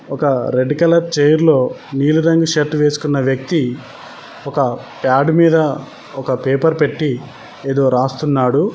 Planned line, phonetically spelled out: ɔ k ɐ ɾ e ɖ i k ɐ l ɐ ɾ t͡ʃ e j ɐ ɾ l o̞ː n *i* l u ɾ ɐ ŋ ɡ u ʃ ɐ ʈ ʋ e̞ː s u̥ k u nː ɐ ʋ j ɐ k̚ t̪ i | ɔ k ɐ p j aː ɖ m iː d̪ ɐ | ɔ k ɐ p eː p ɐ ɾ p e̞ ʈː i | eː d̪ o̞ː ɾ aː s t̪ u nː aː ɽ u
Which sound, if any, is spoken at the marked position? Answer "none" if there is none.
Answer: iː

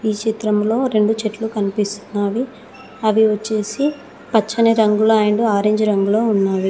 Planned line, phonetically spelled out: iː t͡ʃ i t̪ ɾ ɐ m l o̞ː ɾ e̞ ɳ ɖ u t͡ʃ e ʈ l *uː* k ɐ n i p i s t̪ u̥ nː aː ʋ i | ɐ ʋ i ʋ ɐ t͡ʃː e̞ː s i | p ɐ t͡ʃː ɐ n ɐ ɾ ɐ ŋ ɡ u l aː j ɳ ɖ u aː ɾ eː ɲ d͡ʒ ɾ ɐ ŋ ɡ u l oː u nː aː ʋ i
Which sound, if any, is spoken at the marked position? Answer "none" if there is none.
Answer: u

